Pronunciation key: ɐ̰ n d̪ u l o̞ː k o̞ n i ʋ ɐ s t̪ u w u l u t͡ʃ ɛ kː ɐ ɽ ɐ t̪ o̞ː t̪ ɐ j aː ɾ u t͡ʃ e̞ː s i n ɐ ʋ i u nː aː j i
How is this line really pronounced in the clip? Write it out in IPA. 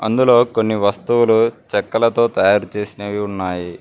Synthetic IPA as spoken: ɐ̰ n d̪ u l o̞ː k o̞ nː i ʋ ɐ s t̪ u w u l u t͡ʃ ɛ kː ɐ l ɐ t̪ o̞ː t̪ ɐ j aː ɾ u t͡ʃ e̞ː s i n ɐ ʋ i u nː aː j i

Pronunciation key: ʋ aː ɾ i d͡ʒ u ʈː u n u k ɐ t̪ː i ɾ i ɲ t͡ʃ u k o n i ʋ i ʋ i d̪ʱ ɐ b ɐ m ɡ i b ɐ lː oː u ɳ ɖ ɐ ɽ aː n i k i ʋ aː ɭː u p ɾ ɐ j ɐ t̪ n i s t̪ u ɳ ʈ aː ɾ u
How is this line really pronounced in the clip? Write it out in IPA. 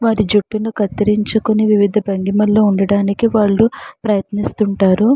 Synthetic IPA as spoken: ʋ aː ɾ i d͡ʒ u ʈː u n u k ɐ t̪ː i ɾ i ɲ t͡ʃ u k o n i ʋ i ʋ i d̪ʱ ɐ b ɐ ŋ ɡ i m ɐ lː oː u ɳ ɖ ɐ ɽ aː n i k i ʋ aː ɭː u p ɾ ɐ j ɐ t̪ n i s t̪ u ɳ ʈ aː ɾ u

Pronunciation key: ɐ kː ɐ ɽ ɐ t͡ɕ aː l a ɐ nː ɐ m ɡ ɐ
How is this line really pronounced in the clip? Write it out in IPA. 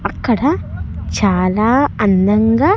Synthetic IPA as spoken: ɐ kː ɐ ɽ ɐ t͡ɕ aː l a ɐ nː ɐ ŋ ɡ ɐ

